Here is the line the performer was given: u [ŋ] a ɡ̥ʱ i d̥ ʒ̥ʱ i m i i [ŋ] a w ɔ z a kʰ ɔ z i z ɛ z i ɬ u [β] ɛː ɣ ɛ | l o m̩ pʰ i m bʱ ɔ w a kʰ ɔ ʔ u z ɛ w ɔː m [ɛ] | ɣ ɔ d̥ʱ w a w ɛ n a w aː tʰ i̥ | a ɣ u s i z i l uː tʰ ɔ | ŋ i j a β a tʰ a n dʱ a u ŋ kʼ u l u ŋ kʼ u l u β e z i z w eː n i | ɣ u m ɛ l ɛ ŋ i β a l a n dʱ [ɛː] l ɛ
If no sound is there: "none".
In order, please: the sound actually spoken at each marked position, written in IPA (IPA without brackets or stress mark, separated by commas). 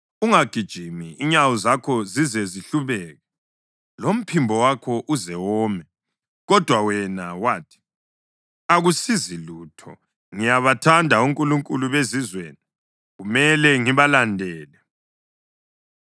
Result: ŋ, ɲ, β, ɛ, ɛː